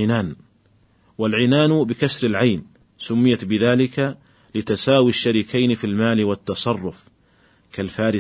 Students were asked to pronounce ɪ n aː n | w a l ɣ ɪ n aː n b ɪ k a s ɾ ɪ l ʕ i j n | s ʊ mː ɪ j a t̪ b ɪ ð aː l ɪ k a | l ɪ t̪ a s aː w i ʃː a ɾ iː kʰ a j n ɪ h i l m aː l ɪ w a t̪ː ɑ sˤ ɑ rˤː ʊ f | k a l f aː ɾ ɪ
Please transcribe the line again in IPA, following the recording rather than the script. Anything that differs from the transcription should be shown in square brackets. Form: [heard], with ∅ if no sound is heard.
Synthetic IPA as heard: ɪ n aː n | w a l [ʕ] ɪ n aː n b ɪ k a s ɾ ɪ l ʕ [a] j n | s ʊ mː ɪ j a t̪ b ɪ ð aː l ɪ k a | l ɪ t̪ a s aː w i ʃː a ɾ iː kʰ a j n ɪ [f] i l m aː l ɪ w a t̪ː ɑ sˤ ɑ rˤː ʊ f | k a l f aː ɾ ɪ